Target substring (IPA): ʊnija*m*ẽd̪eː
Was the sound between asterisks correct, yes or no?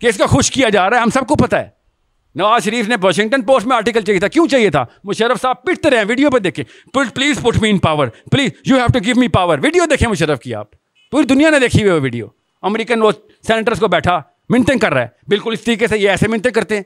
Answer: no